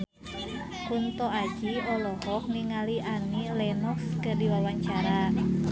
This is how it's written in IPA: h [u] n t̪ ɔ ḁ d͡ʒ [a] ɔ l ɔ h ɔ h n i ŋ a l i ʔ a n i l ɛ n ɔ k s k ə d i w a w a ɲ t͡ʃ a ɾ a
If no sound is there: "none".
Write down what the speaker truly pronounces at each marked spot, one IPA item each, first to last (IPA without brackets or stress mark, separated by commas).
u, i